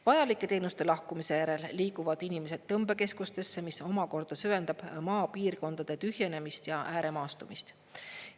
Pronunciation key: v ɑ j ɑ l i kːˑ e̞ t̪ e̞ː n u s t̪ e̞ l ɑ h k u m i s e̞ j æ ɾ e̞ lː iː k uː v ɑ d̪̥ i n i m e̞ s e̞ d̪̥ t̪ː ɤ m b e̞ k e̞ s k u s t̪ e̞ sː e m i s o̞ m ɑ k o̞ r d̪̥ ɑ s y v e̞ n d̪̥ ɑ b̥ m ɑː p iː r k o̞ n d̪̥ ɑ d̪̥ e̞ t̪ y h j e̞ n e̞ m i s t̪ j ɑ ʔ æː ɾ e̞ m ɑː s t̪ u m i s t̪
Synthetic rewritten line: v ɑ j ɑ l i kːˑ e̞ t̪ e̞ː n u s t̪ e̞ l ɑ h k u m i s e̞ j æ ɾ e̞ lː iː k u v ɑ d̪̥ i n i m e̞ s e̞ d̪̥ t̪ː ɤ m b e̞ k e̞ s k u s t̪ e̞ sː e m i s o̞ m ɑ k o̞ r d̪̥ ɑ s y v e̞ n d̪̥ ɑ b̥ m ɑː p iː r k o̞ n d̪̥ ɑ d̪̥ e̞ t̪ y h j e̞ n e̞ m i s t̪ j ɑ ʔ æː ɾ e̞ m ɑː s t̪ u m i s t̪

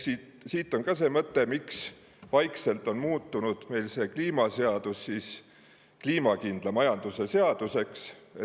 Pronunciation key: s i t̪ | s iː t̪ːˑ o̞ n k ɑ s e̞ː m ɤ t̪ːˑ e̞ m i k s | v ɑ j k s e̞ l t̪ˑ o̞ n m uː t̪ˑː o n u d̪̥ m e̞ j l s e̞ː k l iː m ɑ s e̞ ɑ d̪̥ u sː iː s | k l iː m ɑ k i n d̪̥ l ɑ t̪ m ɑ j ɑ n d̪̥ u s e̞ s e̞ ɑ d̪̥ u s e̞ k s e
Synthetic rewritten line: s i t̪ | s iː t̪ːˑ o̞ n k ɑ s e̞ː m ɤ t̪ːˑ e̞ m i k s | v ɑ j k s e̞ l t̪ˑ o̞ n m uː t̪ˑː u n u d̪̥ m e̞ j l s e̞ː k l iː m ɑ s e̞ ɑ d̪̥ u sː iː s | k l iː m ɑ k i n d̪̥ l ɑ m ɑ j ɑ n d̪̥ u s e̞ s e̞ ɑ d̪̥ u s e̞ k s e

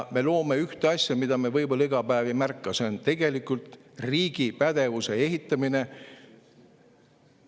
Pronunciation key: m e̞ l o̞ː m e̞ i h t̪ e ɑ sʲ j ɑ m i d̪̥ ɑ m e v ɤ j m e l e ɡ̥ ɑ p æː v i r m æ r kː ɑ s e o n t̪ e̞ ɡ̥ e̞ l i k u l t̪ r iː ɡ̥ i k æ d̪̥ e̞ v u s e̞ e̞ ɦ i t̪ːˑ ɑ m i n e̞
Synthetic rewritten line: m e̞ l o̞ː m e̞ y h t̪ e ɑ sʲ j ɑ m i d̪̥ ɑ m e v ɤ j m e l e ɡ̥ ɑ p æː v i m æ r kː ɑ s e o n t̪ e̞ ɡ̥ e̞ l i k u l t̪ r iː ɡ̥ i p æ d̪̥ e̞ v u s e̞ e̞ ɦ i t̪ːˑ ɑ m i n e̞

